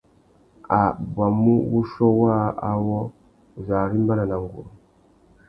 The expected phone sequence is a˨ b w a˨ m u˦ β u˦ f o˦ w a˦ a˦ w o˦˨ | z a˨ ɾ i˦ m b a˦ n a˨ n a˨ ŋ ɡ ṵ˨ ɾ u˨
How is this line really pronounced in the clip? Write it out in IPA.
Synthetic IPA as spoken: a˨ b w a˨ m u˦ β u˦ ʃ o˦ w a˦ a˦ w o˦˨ | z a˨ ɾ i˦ m b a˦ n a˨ n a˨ ŋ ɡ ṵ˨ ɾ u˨